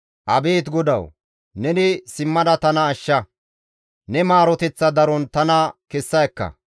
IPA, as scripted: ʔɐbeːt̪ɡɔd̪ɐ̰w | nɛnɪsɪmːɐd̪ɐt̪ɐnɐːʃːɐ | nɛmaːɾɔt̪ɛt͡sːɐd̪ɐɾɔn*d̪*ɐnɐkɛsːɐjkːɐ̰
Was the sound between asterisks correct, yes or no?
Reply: no